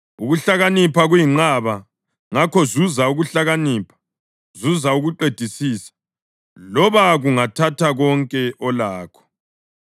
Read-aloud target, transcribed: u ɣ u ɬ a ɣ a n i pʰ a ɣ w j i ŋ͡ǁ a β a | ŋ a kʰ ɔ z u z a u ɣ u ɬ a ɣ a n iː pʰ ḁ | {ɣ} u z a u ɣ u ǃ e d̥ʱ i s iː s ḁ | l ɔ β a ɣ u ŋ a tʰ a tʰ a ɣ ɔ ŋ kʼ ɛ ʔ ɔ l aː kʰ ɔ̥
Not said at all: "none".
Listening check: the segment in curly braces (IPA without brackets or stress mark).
z